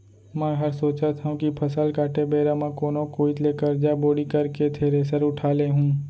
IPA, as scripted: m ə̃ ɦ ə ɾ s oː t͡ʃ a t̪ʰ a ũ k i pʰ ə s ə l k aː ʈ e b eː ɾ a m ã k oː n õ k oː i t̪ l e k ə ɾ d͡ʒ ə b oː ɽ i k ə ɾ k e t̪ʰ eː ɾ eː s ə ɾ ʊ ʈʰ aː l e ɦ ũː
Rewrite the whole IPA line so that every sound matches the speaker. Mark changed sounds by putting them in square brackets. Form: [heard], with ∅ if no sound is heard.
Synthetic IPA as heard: m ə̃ ɦ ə ɾ s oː t͡ʃ a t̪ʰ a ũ k i pʰ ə s ə l k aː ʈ e b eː ɾ a m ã k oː n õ k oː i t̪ l e k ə ɾ d͡ʒ [a] b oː ɽ i k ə ɾ k e t̪ʰ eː ɾ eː s ə ɾ ʊ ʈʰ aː l e ɦ ũː